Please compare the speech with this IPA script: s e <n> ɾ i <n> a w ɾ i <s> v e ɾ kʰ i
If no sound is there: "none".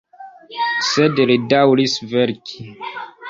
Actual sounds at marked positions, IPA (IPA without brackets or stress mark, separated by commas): d, d, s